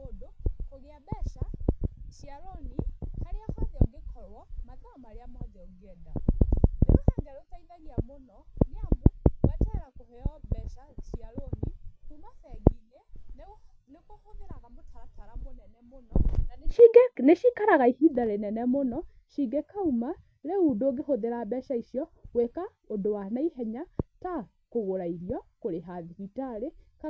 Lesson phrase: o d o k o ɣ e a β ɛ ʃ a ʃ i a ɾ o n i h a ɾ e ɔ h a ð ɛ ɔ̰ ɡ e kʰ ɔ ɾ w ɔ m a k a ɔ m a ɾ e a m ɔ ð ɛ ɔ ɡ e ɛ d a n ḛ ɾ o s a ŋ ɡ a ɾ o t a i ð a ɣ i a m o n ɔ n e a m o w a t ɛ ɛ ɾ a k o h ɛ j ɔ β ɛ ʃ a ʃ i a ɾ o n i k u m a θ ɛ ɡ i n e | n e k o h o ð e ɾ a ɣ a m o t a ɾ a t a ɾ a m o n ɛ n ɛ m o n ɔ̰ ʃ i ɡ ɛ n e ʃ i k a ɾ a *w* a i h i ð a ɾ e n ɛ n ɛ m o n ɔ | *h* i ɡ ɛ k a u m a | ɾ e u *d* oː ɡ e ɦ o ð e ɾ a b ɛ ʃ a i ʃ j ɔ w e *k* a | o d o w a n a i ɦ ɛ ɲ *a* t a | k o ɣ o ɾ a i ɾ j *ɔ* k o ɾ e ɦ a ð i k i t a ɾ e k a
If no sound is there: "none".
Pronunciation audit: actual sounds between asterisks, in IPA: ɣ, ʃ, d, k, a, ɔ

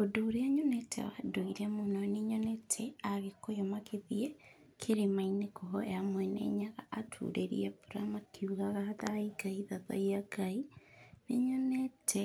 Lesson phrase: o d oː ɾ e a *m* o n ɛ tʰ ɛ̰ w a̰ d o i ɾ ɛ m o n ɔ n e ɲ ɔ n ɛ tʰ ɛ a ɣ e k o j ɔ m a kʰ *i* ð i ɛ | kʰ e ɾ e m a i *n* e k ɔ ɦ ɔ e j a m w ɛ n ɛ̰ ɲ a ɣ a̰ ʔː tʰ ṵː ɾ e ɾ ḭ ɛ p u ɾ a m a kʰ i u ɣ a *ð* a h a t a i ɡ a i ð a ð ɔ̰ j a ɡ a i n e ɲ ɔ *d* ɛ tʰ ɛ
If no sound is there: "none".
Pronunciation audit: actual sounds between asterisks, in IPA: ɲ, e, n, ɣ, n

